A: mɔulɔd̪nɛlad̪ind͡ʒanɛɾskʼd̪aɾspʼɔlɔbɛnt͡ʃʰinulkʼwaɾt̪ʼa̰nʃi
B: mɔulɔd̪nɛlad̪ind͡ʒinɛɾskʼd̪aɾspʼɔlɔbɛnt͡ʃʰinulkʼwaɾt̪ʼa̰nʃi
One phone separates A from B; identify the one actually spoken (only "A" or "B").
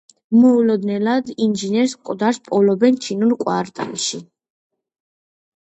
B